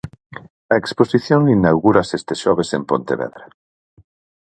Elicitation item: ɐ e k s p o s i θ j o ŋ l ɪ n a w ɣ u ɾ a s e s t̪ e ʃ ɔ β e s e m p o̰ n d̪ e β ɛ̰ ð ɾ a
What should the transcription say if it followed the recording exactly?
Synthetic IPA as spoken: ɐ e k s p o s i θ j o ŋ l i n a w ɣ u ɾ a s e s t̪ e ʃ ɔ β e s e m p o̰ n t̪ e β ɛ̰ ð ɾ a